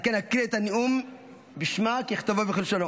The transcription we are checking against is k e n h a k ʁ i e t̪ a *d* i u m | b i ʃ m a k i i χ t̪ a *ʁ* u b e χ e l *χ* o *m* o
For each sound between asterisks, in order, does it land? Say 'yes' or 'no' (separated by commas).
no, no, no, no